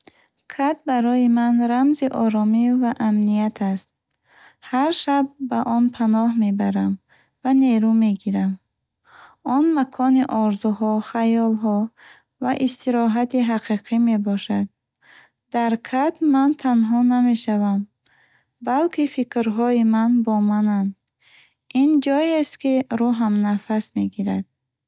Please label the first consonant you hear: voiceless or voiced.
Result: voiceless